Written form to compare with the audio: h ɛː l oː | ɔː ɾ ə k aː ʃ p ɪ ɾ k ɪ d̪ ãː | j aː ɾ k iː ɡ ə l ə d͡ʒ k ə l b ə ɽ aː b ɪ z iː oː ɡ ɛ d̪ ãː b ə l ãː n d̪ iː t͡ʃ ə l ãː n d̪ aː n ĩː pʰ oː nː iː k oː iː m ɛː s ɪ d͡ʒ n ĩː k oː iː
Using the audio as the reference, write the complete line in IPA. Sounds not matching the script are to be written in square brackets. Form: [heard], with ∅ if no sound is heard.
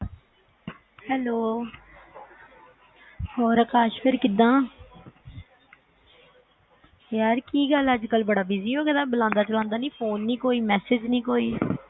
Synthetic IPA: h ɛː l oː | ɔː ɾ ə k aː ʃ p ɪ ɾ k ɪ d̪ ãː | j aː ɾ k iː ɡ ə l ə d͡ʒ k ə l b ə ɽ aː b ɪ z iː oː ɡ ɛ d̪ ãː b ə l ãː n d̪ [aː] t͡ʃ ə l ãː n d̪ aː n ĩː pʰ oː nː iː k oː iː m ɛː s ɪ d͡ʒ n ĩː k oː iː